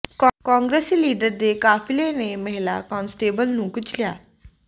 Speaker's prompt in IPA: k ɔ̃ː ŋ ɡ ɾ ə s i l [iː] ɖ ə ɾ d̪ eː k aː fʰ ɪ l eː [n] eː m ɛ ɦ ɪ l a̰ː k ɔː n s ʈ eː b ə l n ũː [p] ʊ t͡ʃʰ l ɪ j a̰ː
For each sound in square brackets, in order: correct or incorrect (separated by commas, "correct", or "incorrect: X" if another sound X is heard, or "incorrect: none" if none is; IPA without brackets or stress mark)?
correct, correct, incorrect: k